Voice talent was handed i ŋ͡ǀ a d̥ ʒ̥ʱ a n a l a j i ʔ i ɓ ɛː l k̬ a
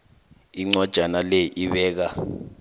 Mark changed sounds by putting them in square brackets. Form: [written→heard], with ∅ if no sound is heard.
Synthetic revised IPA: i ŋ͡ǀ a d̥ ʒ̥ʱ a n a l [a→e] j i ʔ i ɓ ɛː [l→∅] k̬ a